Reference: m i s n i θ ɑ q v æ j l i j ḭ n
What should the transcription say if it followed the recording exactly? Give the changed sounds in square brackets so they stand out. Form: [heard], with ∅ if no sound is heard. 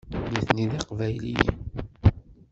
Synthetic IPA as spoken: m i [θ] n i [ð] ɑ q v æ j l i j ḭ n